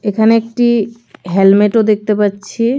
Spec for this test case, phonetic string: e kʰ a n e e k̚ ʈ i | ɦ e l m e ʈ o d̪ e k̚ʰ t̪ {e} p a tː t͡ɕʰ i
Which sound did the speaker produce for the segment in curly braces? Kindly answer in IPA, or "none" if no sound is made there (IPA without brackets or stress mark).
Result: e